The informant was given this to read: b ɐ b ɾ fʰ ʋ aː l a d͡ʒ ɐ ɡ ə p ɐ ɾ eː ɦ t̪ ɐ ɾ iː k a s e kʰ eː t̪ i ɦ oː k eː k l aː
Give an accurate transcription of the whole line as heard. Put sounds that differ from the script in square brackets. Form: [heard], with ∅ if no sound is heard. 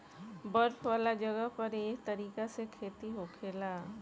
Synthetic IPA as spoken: b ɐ [∅] ɾ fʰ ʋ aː l a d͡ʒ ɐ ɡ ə p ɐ ɾ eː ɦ t̪ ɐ ɾ iː k a s e kʰ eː t̪ i ɦ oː [kʰ] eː [∅] l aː